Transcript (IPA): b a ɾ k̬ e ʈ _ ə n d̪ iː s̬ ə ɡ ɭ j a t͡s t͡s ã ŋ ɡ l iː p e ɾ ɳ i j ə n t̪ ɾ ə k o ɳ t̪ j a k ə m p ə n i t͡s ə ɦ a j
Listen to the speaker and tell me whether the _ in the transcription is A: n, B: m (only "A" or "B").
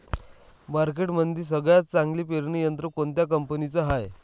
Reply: B